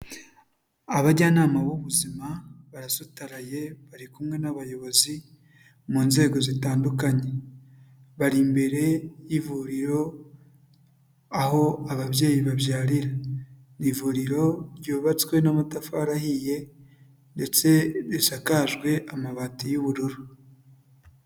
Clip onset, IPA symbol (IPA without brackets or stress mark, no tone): a